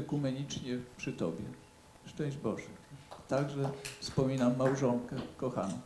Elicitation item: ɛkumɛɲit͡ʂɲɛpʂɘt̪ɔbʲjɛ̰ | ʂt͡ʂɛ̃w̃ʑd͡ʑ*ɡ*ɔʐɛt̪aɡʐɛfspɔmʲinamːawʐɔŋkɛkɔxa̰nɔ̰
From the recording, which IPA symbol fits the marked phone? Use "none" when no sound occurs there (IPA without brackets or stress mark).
b